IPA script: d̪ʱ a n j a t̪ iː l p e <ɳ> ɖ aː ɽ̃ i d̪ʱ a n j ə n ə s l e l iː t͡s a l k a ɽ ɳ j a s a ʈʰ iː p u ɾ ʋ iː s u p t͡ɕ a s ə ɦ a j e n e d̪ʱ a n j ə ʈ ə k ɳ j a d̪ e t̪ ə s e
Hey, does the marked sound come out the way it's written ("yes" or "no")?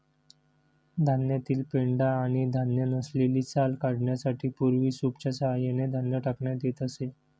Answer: yes